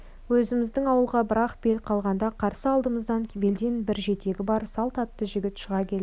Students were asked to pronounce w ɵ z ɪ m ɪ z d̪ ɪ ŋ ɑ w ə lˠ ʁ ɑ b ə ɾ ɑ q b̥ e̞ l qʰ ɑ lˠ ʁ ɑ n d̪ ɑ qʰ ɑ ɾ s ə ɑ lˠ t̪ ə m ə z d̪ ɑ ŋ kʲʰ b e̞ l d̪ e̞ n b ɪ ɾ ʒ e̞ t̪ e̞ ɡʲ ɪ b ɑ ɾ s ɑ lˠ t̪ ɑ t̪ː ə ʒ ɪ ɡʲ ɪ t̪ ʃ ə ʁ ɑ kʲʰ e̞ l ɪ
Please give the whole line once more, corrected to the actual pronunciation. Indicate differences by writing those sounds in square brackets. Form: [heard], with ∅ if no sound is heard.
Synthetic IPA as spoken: w ɵ z ɪ m ɪ z d̪ ɪ ŋ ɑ w ə lˠ ʁ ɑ b ə ɾ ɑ q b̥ e̞ l qʰ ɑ lˠ ʁ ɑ n d̪ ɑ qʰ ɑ ɾ s ə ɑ lˠ [d̪] ə m ə z d̪ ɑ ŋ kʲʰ b e̞ l d̪ e̞ n b ɪ ɾ ʒ e̞ t̪ e̞ ɡʲ ɪ b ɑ ɾ s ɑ lˠ t̪ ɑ t̪ː ə ʒ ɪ ɡʲ ɪ t̪ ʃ ə ʁ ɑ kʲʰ e̞ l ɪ